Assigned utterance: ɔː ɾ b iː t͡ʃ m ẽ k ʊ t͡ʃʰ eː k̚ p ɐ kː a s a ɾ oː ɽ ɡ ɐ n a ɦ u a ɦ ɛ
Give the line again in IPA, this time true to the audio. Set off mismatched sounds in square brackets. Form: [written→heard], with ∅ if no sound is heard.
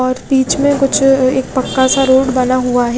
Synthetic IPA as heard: ɔː ɾ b iː t͡ʃ m ẽ k ʊ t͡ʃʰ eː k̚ p ɐ kː a s a ɾ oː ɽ [ɡ→b] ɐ n a ɦ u a ɦ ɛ